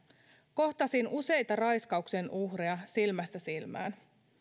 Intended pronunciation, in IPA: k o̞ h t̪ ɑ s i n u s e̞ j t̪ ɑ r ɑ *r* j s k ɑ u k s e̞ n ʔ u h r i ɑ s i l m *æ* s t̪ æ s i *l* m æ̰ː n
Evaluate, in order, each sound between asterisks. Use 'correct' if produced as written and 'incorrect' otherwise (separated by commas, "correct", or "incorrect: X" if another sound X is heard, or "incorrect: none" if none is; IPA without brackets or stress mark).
incorrect: none, correct, correct